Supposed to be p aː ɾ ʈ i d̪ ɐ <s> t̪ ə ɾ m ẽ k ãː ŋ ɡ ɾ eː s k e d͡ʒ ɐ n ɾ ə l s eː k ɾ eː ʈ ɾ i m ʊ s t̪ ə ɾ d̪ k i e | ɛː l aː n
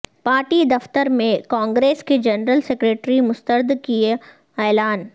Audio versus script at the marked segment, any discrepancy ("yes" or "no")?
yes